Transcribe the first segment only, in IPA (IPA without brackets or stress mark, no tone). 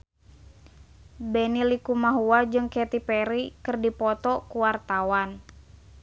b